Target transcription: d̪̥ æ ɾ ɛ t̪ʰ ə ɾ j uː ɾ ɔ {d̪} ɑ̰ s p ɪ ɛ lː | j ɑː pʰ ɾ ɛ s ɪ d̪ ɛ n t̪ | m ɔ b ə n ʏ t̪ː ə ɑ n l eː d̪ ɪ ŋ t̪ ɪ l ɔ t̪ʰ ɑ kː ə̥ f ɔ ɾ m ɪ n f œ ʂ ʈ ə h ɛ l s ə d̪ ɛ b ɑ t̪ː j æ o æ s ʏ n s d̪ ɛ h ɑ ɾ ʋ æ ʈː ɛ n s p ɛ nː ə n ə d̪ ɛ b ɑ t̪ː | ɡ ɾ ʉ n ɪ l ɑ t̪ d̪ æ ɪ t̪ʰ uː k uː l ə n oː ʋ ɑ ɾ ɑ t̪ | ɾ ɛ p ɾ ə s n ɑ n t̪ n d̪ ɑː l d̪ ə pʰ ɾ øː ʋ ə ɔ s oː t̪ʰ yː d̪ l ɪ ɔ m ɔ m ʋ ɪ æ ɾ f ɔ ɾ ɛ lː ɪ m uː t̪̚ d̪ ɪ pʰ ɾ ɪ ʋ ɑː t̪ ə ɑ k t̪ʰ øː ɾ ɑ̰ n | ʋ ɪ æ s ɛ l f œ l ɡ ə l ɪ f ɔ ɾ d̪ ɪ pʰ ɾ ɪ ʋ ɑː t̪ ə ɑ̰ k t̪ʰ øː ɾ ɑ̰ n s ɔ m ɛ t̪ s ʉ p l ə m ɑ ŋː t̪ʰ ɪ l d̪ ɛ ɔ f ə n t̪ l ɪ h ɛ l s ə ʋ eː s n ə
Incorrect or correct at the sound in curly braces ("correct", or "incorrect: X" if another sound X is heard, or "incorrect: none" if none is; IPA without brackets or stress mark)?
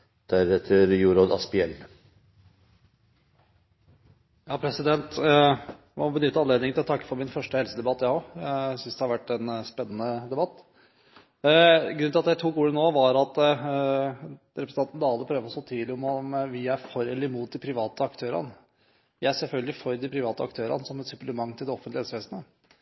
correct